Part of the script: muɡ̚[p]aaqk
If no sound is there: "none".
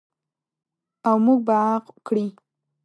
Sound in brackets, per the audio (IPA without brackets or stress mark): b